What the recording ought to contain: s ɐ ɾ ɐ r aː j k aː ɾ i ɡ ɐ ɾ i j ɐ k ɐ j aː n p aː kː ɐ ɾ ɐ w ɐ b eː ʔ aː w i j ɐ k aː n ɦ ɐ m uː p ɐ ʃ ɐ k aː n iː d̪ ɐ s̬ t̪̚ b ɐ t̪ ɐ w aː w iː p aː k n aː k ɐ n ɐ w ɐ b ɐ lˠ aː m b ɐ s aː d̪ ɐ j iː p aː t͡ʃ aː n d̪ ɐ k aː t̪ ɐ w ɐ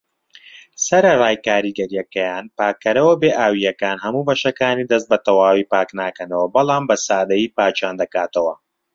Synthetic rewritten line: s ɐ ɾ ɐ r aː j k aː ɾ i ɡ ɐ ɾ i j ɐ k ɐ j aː n p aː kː ɐ ɾ ɐ w ɐ b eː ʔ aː w i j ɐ k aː n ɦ ɐ m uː b ɐ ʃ ɐ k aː n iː d̪ ɐ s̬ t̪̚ b ɐ t̪ ɐ w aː w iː p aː k n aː k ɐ n ɐ w ɐ b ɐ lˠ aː m b ɐ s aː d̪ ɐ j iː p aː t͡ʃ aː n d̪ ɐ k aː t̪ ɐ w ɐ

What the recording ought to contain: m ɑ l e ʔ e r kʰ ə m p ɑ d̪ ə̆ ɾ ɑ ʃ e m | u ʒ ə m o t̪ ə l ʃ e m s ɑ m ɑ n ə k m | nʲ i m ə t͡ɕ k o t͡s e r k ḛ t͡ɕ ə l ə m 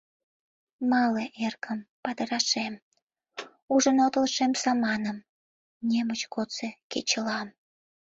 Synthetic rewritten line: m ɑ l e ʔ e r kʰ ə m p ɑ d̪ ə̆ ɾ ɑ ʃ e m | u ʒ ə n o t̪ ə l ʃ e m s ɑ m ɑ n ə m | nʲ e m ə t͡ɕ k o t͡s e k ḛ t͡ɕ ə l ɑ m

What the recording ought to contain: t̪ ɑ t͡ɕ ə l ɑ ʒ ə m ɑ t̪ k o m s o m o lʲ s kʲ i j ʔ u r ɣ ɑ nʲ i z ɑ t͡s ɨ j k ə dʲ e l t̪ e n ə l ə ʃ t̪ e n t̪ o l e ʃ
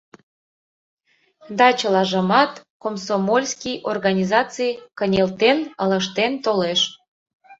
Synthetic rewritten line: d̪ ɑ t͡ɕ ə l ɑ ʒ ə m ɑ t̪ k o m s o m o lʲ s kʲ i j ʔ o r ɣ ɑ nʲ i z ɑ t͡s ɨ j k ə nʲ e l t̪ e n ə l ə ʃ t̪ e n t̪ o l e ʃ

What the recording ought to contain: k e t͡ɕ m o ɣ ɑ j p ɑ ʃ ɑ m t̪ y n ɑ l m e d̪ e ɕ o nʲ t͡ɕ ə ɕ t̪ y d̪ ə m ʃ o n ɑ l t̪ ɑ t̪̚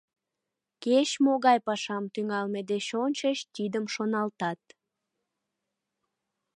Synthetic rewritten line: k e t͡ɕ m o ɣ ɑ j p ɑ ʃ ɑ m t̪ y ŋ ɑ l m e d̪ e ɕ o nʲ t͡ɕ ə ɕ t̪ i d̪ ə m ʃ o n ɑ l t̪ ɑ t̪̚

